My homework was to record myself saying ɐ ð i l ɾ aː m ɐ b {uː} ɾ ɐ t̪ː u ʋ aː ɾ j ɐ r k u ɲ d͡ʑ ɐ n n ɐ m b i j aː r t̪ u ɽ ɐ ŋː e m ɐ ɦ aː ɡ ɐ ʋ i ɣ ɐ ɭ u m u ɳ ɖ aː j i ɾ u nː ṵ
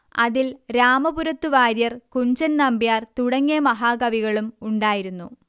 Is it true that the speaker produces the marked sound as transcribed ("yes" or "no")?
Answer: no